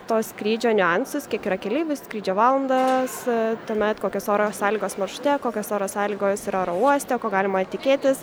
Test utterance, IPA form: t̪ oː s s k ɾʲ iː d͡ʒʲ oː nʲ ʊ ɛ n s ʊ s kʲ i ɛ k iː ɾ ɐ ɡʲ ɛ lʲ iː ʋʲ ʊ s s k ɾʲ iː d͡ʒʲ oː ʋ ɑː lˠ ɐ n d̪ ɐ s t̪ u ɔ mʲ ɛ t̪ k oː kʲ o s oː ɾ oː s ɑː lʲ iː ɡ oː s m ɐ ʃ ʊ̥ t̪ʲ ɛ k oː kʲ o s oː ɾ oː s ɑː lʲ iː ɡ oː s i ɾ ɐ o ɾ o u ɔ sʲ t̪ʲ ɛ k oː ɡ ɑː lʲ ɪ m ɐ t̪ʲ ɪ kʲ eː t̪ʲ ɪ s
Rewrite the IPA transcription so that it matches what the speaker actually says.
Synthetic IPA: t̪ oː s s k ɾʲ iː d͡ʒʲ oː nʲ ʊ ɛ n s ʊ s kʲ i ɛ k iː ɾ ɐ kʲ ɛ lʲ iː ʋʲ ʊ s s k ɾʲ iː d͡ʒʲ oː ʋ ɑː lˠ ɐ n d̪ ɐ s t̪ u ɔ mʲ ɛ t̪ k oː kʲ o s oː ɾ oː s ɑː lʲ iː ɡ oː s m ɐ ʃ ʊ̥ t̪ʲ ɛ k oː kʲ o s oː ɾ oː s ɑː lʲ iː ɡ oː s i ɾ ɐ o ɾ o u ɔ sʲ t̪ʲ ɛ k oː ɡ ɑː lʲ ɪ m ɐ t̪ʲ ɪ kʲ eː t̪ʲ ɪ s